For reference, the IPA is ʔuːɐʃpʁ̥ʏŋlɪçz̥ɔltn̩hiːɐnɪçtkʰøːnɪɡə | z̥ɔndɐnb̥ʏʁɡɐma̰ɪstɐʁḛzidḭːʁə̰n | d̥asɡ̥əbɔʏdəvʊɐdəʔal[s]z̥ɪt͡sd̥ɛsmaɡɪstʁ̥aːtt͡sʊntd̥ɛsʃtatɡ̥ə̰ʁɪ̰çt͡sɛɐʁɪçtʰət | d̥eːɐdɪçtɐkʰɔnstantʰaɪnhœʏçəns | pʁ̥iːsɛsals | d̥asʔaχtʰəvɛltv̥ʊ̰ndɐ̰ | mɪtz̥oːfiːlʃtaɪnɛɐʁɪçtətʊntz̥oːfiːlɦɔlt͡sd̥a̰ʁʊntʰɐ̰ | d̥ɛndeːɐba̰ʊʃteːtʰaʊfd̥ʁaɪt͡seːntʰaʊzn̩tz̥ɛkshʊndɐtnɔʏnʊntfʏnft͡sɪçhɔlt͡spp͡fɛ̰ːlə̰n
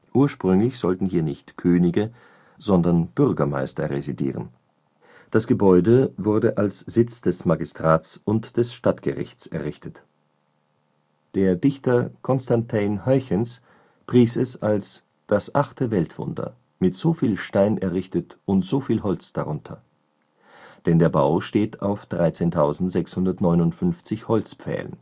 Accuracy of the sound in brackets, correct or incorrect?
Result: correct